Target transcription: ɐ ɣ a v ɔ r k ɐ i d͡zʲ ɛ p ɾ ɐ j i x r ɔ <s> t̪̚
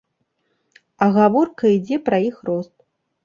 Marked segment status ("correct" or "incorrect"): correct